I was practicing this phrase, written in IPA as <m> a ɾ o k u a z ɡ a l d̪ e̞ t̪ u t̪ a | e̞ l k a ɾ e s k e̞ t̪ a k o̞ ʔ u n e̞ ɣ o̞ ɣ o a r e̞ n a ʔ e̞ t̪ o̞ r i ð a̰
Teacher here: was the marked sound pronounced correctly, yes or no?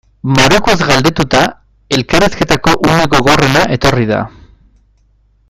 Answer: yes